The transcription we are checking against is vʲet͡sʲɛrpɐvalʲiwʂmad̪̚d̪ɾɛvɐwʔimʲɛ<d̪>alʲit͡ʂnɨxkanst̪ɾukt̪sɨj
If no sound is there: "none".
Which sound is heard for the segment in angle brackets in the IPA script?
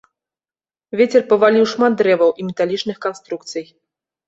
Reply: t̪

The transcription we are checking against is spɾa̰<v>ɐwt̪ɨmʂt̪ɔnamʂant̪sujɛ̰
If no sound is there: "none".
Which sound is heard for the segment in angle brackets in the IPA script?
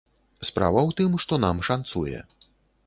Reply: v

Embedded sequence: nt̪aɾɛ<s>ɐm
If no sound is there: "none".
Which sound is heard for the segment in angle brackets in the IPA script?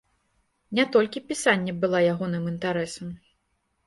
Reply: s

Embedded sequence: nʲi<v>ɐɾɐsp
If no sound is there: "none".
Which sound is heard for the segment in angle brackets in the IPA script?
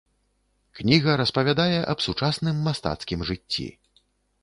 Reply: ɣ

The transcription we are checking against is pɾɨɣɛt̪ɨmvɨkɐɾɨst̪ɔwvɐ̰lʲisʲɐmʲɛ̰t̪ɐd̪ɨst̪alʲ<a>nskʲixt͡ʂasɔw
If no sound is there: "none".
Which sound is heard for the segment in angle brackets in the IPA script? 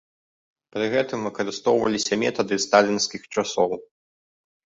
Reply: i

